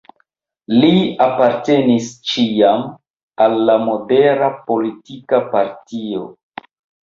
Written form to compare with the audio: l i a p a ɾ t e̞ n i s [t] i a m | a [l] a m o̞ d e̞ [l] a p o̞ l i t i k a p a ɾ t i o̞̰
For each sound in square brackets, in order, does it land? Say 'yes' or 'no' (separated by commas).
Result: no, no, no